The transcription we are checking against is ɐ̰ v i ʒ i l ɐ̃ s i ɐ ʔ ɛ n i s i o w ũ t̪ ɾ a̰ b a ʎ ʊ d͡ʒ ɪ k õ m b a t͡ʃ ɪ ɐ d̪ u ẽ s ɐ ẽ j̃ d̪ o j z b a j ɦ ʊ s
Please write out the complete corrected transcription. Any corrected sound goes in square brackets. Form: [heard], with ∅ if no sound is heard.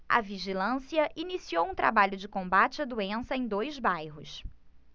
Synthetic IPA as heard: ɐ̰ v i ʒ i l ɐ̃ s i ɐ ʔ [i] n i s i o w ũ t̪ ɾ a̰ b a ʎ ʊ d͡ʒ ɪ k õ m b a t͡ʃ ɪ ɐ d̪ u ẽ s ɐ ẽ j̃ d̪ o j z b a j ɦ ʊ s